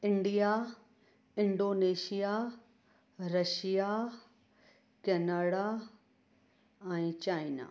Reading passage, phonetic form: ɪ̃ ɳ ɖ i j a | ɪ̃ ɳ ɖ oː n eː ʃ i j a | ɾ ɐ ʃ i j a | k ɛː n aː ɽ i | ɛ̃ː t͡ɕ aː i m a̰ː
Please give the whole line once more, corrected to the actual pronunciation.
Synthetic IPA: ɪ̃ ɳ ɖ i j a | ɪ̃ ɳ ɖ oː n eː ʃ i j a | ɾ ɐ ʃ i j a | k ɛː n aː ɽ a | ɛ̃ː t͡ɕ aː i n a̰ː